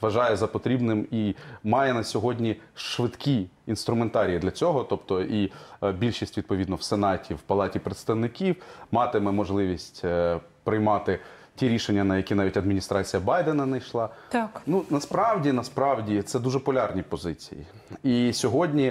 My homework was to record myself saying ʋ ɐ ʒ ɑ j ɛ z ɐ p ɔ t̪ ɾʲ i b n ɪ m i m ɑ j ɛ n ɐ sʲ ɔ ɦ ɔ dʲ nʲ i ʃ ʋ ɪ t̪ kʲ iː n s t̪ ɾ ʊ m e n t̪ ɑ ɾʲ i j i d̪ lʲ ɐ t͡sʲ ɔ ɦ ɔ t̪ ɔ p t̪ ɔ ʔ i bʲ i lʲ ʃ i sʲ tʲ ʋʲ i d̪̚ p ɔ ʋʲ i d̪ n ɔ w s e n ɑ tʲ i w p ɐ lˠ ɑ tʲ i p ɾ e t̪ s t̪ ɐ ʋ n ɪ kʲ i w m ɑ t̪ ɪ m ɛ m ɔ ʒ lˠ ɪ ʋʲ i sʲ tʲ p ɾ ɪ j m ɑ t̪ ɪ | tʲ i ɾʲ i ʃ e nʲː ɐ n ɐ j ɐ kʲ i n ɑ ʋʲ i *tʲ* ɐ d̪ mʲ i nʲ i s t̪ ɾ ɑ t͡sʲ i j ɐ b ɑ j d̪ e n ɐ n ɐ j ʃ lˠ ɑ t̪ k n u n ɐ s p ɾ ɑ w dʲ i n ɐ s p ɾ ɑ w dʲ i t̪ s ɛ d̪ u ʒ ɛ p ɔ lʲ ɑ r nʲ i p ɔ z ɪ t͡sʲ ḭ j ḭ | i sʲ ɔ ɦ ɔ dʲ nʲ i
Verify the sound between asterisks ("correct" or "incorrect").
correct